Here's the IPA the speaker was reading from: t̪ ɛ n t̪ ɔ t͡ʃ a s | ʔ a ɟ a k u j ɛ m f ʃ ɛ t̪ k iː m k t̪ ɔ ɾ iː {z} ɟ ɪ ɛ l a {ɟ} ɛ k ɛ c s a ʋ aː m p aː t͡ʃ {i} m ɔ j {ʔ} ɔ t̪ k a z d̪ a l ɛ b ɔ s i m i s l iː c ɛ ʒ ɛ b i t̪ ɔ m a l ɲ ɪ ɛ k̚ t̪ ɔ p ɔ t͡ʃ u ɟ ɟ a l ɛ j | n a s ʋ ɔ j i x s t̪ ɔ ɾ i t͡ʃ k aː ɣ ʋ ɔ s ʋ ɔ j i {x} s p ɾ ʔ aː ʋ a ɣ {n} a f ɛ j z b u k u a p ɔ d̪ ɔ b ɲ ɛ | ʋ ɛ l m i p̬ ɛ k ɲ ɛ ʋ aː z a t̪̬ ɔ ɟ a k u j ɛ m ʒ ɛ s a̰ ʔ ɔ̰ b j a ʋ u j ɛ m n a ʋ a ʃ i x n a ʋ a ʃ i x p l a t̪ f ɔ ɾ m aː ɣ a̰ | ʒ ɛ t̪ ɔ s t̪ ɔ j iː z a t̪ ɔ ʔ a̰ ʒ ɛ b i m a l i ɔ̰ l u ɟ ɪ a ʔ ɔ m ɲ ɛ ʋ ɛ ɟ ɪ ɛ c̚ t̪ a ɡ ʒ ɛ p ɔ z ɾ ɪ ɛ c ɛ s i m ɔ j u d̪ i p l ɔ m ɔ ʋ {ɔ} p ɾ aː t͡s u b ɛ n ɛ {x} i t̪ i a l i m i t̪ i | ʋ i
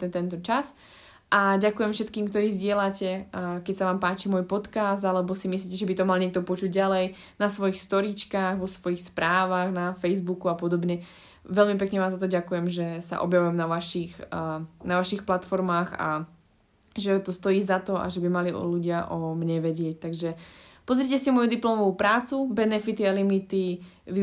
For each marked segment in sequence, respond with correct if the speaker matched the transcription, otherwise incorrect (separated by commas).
correct, incorrect, correct, incorrect, correct, correct, incorrect, incorrect